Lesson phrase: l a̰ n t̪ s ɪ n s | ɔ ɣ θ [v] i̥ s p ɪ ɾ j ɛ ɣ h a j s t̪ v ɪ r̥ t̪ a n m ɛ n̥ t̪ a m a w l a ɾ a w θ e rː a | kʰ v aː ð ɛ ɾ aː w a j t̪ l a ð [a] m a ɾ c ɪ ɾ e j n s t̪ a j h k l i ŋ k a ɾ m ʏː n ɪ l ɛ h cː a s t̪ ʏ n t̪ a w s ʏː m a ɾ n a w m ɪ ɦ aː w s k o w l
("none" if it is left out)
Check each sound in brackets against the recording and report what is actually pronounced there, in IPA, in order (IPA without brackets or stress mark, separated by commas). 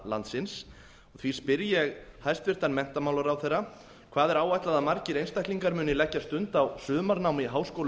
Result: v, a